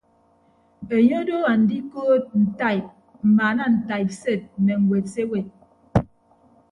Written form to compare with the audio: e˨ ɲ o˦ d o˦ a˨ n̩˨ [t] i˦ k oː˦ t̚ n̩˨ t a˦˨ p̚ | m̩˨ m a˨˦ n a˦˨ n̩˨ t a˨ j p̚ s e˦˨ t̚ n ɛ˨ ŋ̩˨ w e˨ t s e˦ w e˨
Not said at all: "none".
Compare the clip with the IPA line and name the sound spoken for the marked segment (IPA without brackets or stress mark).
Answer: d